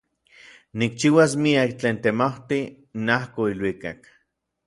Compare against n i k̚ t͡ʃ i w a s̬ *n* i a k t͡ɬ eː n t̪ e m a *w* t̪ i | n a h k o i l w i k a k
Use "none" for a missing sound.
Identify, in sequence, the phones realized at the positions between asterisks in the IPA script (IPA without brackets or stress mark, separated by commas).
m, w